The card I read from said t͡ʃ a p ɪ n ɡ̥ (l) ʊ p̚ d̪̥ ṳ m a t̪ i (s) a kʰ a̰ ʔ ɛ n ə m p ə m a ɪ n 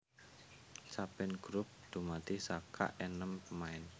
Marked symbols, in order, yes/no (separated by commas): no, yes